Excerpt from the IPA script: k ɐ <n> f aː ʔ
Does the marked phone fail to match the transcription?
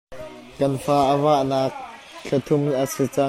no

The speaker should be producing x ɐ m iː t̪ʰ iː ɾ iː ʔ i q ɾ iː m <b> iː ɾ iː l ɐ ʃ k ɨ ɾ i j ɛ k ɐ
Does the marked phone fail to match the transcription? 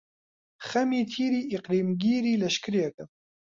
yes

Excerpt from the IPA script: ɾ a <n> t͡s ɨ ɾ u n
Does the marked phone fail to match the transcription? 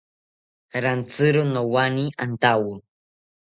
no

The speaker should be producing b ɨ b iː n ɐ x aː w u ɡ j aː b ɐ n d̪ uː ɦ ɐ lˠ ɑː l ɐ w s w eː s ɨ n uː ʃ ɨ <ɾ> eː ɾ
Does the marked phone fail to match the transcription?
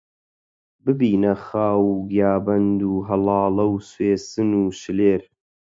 yes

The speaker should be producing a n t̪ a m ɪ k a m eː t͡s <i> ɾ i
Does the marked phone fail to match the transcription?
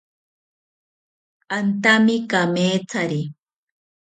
yes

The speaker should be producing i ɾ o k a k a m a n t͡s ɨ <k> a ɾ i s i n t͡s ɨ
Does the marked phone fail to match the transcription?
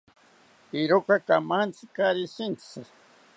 no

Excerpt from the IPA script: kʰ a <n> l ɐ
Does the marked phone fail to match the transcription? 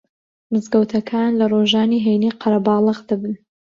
no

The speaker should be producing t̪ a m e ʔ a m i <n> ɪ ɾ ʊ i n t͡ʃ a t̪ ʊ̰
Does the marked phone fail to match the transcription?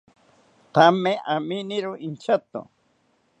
no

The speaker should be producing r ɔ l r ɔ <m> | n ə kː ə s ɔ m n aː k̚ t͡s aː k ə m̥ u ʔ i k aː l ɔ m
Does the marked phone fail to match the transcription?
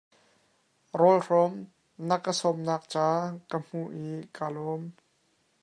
no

